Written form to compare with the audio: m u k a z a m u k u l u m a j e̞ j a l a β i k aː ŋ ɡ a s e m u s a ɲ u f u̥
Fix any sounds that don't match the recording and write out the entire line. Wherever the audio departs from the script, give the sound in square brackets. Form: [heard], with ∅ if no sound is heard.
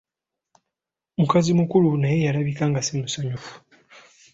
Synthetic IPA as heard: m u k a z [i] m u k u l u [n] a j e̞ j a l a β i k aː ŋ ɡ a s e m u s a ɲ u f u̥